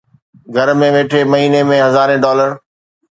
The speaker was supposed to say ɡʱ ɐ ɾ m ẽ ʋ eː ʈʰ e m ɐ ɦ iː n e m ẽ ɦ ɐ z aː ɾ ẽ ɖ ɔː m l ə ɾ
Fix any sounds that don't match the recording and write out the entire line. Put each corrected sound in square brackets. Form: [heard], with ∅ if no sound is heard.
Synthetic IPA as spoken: ɡʱ ɐ ɾ m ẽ ʋ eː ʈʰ e m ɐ ɦ iː n e m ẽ ɦ ɐ z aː ɾ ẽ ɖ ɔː [∅] l ə ɾ